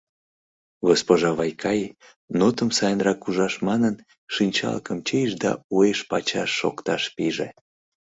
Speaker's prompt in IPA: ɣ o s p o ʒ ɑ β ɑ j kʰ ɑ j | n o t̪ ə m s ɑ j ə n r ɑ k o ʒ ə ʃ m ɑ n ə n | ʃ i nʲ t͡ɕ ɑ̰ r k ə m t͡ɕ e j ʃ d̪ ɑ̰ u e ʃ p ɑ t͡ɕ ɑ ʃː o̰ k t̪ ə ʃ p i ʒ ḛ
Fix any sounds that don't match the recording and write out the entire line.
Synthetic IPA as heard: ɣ o s p o ʒ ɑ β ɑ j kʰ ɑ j | n o t̪ ə m s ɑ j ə n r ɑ k u ʒ ɑ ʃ m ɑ n ə n | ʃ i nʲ t͡ɕ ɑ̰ l k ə m t͡ɕ e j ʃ d̪ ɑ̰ u e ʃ p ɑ t͡ɕ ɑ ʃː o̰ k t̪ ɑ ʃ p i ʒ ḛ